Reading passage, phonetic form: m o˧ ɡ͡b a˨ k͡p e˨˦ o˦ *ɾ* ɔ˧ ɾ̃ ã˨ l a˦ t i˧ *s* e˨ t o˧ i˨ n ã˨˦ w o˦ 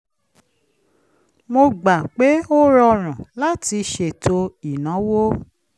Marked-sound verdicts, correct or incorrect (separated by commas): correct, incorrect